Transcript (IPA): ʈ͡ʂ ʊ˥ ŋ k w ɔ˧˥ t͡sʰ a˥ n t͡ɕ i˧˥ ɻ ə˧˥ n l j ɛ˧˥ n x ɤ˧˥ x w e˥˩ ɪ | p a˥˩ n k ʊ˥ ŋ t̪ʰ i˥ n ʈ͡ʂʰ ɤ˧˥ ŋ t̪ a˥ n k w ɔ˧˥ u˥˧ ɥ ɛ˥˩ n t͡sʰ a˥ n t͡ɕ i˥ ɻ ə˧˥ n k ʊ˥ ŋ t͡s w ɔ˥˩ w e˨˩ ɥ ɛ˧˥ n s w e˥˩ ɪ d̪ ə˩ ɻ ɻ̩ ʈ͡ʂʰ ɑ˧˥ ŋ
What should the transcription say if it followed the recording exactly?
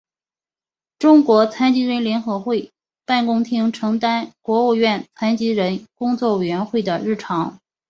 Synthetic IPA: ʈ͡ʂ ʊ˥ ŋ k w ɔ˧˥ t͡sʰ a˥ n t͡ɕ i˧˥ ɻ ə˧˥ n l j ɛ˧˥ n x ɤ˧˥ x w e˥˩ ɪ | p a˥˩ n k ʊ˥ ŋ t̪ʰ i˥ ŋ ʈ͡ʂʰ ɤ˧˥ ŋ t̪ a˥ n k w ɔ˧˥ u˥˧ ɥ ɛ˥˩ n t͡sʰ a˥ n t͡ɕ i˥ ɻ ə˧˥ n k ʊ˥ ŋ t͡s w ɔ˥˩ w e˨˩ ɥ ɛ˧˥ n x w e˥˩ ɪ d̪ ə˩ ɻ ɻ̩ ʈ͡ʂʰ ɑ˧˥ ŋ